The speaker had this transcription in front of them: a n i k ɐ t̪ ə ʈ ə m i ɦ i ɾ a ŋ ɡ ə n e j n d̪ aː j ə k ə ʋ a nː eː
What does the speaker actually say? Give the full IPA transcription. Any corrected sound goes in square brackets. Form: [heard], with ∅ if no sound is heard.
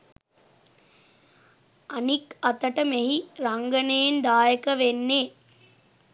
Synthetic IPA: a n i k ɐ t̪ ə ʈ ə m [e] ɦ i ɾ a ŋ ɡ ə n e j n d̪ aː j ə k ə ʋ [e] nː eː